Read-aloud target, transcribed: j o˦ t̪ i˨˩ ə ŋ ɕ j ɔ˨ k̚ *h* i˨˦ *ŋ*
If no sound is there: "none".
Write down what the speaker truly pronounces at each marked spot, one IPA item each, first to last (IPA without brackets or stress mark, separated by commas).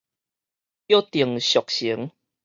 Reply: ɕ, ŋ